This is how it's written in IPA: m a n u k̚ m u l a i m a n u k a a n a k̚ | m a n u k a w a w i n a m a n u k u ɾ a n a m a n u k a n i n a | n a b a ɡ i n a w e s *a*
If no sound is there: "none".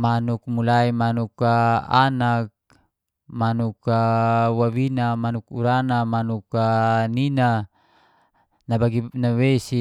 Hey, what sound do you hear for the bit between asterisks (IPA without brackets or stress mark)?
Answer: i